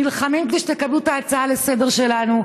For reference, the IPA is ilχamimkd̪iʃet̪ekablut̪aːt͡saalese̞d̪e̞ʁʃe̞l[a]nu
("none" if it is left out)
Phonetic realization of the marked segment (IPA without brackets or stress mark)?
a